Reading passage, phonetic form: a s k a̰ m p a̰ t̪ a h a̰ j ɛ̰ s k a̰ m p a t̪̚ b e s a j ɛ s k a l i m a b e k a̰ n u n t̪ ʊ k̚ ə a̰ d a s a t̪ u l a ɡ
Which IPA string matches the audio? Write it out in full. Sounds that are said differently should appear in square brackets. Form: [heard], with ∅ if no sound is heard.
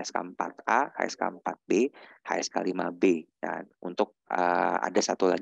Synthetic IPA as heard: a s k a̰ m p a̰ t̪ a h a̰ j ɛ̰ s k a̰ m p a t̪̚ b e [h] a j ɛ s k a l i m a b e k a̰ n u n t̪ ʊ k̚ ə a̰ d a s a t̪ u l a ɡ